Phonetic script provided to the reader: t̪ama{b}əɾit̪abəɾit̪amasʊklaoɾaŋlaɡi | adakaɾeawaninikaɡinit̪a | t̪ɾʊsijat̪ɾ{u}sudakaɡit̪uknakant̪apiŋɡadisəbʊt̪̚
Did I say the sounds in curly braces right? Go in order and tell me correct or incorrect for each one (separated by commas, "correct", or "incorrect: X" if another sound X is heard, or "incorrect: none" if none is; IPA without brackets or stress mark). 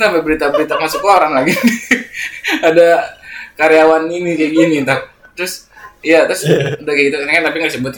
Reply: correct, incorrect: ʊ